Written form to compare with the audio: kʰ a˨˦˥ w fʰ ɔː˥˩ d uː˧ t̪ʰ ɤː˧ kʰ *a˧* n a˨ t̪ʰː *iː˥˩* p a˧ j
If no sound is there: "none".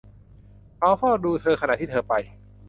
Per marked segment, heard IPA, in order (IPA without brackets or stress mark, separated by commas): a˧, iː˥˩˧